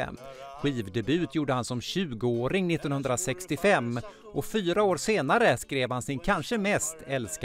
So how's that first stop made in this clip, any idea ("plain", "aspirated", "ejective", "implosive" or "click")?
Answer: plain